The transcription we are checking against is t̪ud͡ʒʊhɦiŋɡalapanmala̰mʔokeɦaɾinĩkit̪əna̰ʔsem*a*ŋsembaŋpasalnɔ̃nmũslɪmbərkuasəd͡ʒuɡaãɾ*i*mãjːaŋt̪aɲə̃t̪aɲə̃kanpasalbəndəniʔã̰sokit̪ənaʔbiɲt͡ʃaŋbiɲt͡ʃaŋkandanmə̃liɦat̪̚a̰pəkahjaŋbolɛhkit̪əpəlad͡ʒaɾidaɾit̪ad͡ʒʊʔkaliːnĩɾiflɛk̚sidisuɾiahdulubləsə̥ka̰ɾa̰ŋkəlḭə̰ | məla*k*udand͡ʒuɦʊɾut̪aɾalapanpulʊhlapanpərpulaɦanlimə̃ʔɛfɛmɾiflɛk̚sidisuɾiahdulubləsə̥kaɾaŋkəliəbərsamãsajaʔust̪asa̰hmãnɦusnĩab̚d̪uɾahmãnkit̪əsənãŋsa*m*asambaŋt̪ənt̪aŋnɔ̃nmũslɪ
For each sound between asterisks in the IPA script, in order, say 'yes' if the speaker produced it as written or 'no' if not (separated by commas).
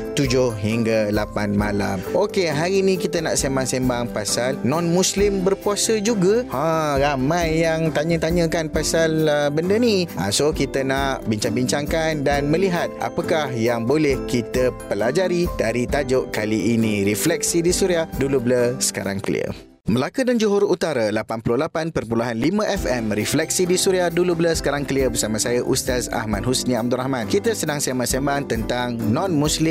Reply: yes, no, yes, yes